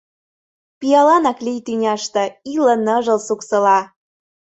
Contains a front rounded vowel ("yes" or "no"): yes